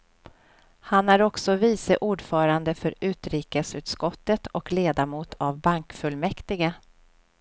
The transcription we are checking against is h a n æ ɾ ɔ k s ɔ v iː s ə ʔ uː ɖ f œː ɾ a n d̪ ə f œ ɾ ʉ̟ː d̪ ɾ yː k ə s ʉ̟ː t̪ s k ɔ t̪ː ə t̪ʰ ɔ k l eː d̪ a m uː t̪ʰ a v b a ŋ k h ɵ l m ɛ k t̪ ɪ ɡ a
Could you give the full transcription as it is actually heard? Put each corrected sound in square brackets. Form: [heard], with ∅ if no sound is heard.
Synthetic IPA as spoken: h a n æ ɾ ɔ k s ɔ v iː s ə ʔ uː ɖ f œː ɾ a n d̪ ə f œ ɾ ʉ̟ː [t̪] ɾ [iː] k ə s ʉ̟ː t̪ s k ɔ t̪ː ə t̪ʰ ɔ k l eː d̪ a m uː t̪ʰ a v b a ŋ k [f] ɵ l m ɛ k t̪ ɪ ɡ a